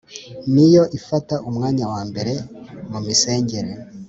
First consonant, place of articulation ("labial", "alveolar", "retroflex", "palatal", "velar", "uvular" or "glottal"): alveolar